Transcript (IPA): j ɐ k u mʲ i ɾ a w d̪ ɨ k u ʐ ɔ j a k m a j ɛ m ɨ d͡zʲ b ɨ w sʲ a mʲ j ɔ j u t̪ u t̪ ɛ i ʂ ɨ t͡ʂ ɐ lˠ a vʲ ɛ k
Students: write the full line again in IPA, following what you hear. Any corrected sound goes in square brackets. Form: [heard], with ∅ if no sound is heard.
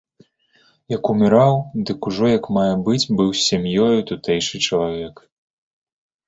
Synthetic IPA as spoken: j ɐ k u mʲ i ɾ a w d̪ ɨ k u ʐ ɔ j [ɐ] k m a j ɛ [b] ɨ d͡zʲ b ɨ w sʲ a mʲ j ɔ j u t̪ u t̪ ɛ [j] ʂ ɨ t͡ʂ ɐ lˠ a vʲ ɛ k

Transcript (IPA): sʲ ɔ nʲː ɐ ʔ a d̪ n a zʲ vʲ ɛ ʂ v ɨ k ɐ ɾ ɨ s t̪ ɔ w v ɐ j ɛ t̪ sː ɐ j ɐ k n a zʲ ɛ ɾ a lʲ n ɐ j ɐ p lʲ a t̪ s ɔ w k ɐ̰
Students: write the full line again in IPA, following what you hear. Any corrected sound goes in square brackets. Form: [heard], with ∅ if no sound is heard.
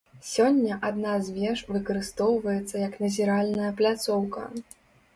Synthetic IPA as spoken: sʲ ɔ nʲː ɐ ʔ a d̪ n a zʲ vʲ ɛ ʂ v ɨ k ɐ ɾ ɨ s t̪ ɔ w v ɐ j ɛ t̪ sː ɐ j ɐ k n [ɐ] zʲ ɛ ɾ a lʲ n ɐ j ɐ p lʲ a t̪ s ɔ w k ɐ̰

